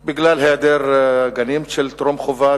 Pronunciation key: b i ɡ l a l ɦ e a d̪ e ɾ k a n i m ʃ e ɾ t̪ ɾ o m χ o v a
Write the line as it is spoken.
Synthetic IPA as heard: b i ɡ l a l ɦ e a d̪ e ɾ ɡ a n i m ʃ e l t̪ ɾ o m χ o v a